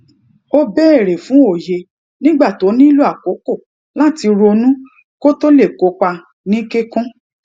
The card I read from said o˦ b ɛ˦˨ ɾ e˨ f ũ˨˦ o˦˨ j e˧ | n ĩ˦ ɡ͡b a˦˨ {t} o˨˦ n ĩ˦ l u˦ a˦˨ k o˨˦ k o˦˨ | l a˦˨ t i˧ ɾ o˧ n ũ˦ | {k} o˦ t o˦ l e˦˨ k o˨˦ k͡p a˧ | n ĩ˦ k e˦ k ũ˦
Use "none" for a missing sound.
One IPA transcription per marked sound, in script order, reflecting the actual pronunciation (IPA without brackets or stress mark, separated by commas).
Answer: t, k